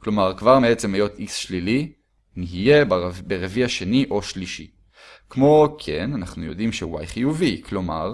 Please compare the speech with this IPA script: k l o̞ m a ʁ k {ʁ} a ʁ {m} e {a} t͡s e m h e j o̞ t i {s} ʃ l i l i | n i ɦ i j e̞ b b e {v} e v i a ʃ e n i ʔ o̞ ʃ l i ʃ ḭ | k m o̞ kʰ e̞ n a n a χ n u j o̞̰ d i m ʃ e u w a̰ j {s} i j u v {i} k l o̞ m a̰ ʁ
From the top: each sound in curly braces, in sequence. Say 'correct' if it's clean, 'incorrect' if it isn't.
incorrect: v, correct, incorrect: e, correct, incorrect: ʁ, incorrect: χ, correct

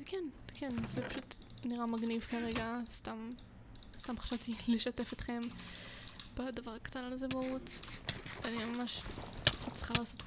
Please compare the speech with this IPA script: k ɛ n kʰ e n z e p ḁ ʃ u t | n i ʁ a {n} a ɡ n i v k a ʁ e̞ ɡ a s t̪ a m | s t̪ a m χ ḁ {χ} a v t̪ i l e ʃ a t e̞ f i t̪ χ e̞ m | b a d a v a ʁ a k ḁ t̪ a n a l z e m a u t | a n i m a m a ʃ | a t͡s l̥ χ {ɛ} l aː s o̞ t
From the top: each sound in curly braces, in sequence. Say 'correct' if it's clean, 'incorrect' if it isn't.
incorrect: m, incorrect: ʃ, incorrect: a

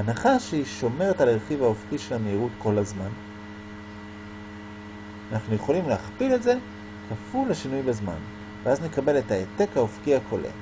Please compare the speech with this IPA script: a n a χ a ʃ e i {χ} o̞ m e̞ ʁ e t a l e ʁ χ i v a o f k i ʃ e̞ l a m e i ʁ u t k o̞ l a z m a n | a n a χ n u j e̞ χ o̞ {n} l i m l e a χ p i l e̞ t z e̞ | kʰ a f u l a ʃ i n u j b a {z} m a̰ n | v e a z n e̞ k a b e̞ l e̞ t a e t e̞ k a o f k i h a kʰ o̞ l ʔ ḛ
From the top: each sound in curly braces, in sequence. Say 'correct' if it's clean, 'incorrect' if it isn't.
incorrect: ʃ, incorrect: none, correct

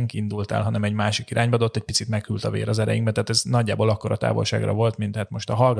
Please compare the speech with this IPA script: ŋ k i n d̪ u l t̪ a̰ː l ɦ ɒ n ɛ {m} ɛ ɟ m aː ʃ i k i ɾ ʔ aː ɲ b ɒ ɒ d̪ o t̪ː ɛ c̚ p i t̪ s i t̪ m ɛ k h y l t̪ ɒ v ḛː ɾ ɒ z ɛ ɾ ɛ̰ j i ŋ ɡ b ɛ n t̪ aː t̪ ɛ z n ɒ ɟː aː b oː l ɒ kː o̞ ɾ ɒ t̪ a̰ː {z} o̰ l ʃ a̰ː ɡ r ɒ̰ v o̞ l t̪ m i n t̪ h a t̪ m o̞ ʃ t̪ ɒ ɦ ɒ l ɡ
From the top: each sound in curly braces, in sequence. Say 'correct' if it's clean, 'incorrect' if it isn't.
correct, incorrect: v

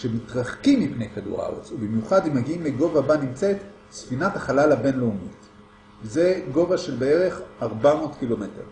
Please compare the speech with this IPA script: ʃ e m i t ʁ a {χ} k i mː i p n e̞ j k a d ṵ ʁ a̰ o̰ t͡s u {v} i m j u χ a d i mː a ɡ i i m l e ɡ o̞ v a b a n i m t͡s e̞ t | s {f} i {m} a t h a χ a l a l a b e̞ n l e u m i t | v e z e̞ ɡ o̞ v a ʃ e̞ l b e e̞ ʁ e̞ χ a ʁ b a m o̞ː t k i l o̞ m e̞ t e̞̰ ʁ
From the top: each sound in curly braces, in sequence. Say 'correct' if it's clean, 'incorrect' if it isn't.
correct, incorrect: b, correct, incorrect: n

